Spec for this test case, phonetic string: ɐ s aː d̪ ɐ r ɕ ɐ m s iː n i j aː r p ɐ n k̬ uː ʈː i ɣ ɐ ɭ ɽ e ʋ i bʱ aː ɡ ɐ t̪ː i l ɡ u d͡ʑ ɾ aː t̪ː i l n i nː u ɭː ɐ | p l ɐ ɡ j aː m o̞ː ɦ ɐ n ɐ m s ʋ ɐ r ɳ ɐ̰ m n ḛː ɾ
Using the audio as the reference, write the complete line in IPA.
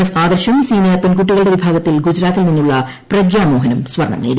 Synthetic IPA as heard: ɐ s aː d̪ ɐ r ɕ ɐ m s iː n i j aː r p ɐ n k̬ u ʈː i ɣ ɐ ɭ ɽ e ʋ i bʱ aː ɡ ɐ t̪ː i l ɡ u d͡ʑ ɾ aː t̪ː i l n i nː u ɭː ɐ | p r ɐ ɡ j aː m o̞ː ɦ ɐ n ɐ m s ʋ ɐ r ɳ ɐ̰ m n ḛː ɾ

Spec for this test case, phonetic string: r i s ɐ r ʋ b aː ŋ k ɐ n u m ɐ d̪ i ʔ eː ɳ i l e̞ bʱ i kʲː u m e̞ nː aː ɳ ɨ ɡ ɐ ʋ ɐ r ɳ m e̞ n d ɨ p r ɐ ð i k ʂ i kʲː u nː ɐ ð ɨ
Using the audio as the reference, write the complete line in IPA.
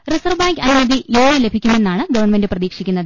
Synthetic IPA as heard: r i s ɐ r ʋ b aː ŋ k ɐ n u m ɐ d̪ i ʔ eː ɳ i l e̞ bʱ i kʲː u m e̞ nː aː ɳ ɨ ɡ ɐ ʋ ɐ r ɳ m e̞ n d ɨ p r ɐ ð iː k ʂ i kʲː u nː ɐ ð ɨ

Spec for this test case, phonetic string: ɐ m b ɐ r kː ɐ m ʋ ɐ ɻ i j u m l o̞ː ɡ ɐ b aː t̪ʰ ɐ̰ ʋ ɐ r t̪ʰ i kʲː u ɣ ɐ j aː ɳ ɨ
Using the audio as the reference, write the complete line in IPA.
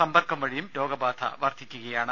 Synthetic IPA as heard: ɐ m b ɐ r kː ɐ m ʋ ɐ ɻ i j u m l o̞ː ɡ ɐ b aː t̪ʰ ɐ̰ ʋ ɐ r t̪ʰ i kʲː u ɣ ɐ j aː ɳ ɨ

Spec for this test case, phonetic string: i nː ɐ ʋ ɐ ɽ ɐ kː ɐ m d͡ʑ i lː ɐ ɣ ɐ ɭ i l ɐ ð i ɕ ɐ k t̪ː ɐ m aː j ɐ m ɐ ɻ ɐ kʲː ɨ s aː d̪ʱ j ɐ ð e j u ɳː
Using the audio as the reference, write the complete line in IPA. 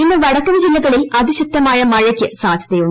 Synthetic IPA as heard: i nː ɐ ʋ ɐ ɽ ɐ kː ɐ m d͡ʑ i lː ɐ ɣ ɐ ɭ i l ɐ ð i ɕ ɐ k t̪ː ɐ m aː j ɐ m ɐ ɻ ɐ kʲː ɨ s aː d̪ʱ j ɐ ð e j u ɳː

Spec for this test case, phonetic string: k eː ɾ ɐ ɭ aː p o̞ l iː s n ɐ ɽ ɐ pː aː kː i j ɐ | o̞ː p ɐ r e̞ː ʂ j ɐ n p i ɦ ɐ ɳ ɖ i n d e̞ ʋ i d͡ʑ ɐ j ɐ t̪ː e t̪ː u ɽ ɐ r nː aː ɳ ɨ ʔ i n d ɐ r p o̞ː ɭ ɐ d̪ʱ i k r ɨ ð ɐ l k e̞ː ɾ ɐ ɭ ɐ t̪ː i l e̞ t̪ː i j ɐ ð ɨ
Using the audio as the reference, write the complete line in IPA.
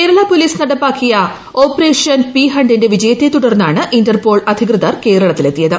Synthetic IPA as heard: k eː ɾ ɐ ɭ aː p o̞ l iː s n ɐ ɽ ɐ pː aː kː i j ɐ | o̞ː p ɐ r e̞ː ʂ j ɐ n p i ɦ ɐ ɳ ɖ i n d e̞ ʋ i d͡ʑ ɐ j ɐ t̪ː e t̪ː u ɽ ɐ r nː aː ɳ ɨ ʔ i n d ɐ r p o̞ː ɭ ɐ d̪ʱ i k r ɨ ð ɐ r k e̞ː ɾ ɐ ɭ ɐ t̪ː i l e̞ t̪ː i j ɐ ð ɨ

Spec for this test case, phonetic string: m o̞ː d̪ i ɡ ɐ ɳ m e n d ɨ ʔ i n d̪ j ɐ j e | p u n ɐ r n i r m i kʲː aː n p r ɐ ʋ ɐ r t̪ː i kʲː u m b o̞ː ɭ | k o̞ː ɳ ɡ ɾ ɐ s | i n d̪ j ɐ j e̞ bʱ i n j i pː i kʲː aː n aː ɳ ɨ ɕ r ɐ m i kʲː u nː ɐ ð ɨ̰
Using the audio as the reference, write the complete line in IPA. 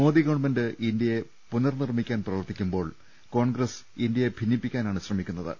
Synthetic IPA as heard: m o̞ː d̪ i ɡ ɐ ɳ m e n d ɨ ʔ i n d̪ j ɐ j e | p u n ɐ r n i r m i kʲː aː n p r ɐ ʋ ɐ r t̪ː i kʲː u m b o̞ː ɭ | k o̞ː ɳ ɡ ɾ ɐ s | i n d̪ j ɐ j e̞ bʱ i n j i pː i kʲː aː n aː ɳ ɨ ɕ r ɐ m i kʲː u nː ɐ ð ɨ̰

